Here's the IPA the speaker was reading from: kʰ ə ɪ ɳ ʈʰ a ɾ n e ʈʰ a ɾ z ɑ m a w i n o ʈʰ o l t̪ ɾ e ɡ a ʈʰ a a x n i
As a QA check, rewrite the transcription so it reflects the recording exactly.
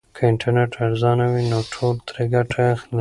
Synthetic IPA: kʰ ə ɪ ɳ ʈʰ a ɾ n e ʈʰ a ɾ z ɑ n a w i n o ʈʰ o l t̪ ɾ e ɡ a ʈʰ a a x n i